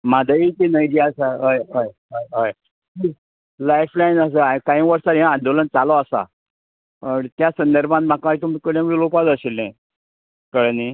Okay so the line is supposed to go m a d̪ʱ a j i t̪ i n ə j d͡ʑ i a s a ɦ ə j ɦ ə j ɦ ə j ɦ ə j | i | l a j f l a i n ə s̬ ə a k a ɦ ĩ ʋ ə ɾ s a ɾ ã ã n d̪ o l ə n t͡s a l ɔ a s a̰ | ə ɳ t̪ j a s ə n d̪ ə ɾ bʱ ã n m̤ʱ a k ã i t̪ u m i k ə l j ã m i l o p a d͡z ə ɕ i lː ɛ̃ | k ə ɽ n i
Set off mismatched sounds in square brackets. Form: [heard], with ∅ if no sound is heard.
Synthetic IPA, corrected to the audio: m a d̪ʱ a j i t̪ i n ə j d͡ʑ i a s a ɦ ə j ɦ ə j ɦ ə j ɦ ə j | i | l a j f l a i n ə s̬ ə a k a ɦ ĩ ʋ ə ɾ s a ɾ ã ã n d̪ o l ə n t͡s a l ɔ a s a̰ | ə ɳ t̪ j a s ə n d̪ ə ɾ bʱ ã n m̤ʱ a k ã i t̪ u m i k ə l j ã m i l o p a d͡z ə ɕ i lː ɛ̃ | k ə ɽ n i